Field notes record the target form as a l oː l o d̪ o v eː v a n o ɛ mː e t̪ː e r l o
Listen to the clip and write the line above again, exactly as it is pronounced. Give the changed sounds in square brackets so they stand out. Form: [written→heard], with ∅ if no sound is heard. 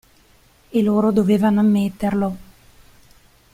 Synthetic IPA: [a→e] l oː [l→ɾ] o d̪ o v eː v a n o [ɛ→a] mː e t̪ː e r l o